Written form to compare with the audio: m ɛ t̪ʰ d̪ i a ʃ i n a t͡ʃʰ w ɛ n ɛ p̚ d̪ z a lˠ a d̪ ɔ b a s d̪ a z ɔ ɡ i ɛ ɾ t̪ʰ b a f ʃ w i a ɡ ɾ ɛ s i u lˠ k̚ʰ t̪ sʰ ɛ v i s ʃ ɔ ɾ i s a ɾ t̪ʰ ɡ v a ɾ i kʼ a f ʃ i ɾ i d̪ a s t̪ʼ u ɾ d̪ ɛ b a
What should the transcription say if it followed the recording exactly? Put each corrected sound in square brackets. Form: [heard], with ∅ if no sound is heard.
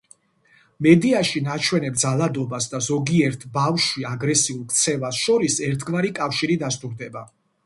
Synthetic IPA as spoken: m ɛ [∅] d̪ i a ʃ i n a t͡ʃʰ w ɛ n ɛ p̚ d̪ z a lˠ a d̪ ɔ b a s d̪ a z ɔ ɡ i ɛ ɾ t̪ʰ b a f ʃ w i a ɡ ɾ ɛ s i u lˠ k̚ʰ t̪ sʰ ɛ v [a] s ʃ ɔ ɾ i s [ɛ] ɾ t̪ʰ ɡ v a ɾ i kʼ a f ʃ i ɾ i d̪ a s t̪ʼ u ɾ d̪ ɛ b a